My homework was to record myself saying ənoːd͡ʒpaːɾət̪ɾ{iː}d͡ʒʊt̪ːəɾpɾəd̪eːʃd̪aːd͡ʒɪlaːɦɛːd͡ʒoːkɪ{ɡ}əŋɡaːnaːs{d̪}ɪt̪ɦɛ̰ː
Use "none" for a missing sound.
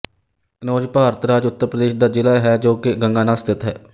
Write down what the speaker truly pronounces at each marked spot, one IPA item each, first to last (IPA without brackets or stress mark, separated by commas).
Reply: aː, ɡ, t̪